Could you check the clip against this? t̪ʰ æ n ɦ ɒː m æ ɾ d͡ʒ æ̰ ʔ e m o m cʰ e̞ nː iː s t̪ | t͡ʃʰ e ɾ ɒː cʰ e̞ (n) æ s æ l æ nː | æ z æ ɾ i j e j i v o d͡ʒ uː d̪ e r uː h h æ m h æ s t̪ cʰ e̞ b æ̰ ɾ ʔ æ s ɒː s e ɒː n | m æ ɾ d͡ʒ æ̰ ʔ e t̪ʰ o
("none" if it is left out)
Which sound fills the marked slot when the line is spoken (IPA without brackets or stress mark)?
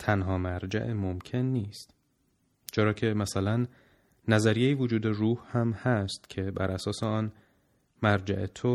m